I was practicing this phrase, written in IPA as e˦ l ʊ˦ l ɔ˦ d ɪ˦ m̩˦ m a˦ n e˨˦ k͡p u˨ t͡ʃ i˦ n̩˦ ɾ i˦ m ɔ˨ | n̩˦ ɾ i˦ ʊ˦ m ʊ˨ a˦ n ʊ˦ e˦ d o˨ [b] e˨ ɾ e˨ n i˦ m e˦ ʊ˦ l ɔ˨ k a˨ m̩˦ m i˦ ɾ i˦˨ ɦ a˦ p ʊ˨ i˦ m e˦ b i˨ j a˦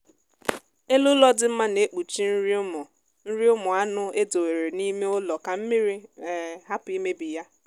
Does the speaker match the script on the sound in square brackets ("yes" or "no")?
no